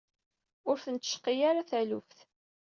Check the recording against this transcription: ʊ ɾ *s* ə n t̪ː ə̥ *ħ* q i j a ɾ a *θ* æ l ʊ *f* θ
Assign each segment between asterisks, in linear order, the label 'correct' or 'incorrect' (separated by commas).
incorrect, incorrect, correct, correct